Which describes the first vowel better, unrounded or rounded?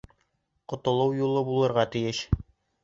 rounded